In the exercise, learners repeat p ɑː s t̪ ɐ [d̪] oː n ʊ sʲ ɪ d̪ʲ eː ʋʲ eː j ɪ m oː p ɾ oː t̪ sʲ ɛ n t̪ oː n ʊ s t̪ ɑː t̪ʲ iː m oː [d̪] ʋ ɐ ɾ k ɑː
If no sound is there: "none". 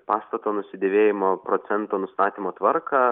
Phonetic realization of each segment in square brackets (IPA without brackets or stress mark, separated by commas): t̪, t̪